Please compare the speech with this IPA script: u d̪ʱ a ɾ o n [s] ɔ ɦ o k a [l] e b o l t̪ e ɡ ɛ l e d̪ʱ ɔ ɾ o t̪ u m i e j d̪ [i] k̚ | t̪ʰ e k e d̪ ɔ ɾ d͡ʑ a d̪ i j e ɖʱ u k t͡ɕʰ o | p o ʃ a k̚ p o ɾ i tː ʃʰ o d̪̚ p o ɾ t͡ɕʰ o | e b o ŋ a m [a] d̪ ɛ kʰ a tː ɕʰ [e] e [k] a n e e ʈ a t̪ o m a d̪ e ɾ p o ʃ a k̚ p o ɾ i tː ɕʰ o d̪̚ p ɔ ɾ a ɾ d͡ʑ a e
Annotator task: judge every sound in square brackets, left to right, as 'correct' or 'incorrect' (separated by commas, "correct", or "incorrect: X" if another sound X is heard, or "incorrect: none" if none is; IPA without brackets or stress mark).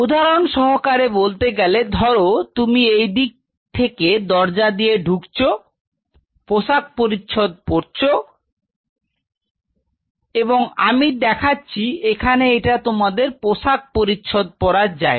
incorrect: ʃ, incorrect: ɾ, correct, incorrect: i, incorrect: i, incorrect: kʰ